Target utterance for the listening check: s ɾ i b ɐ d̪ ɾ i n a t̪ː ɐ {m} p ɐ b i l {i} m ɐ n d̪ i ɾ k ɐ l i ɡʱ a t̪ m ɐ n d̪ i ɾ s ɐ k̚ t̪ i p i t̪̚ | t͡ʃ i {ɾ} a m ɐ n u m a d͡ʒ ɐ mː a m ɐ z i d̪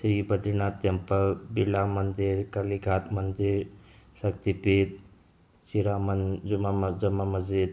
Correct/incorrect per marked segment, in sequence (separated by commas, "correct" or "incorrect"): correct, incorrect, correct